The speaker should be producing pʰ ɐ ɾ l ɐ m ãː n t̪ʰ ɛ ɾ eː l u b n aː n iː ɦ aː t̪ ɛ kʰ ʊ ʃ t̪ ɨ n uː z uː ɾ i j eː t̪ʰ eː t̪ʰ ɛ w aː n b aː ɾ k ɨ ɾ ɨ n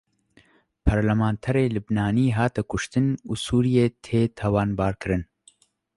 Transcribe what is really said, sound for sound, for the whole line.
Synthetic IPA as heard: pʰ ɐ ɾ l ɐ m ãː n t̪ʰ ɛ ɾ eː l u b n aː n iː ɦ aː t̪ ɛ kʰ ʊ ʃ t̪ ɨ n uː s uː ɾ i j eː t̪ʰ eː t̪ʰ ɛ w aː n b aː ɾ k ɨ ɾ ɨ n